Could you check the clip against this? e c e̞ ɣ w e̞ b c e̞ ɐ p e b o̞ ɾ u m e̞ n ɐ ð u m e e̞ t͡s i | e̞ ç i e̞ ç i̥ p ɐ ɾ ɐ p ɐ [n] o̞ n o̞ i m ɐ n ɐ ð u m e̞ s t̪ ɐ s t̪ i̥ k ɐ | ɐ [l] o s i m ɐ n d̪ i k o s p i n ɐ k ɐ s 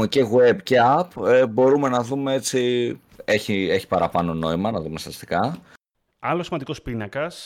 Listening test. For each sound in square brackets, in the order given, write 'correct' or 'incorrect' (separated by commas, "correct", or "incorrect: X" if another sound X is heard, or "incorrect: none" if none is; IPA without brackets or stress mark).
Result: correct, correct